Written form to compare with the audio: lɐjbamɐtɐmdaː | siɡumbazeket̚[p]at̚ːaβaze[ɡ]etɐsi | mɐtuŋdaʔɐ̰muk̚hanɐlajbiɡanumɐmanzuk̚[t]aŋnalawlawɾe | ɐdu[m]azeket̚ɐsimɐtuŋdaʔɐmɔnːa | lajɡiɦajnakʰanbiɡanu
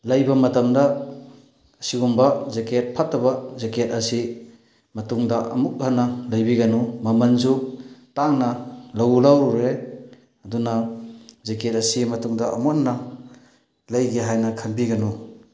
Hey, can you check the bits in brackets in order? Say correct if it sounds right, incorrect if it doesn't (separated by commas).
incorrect, incorrect, correct, incorrect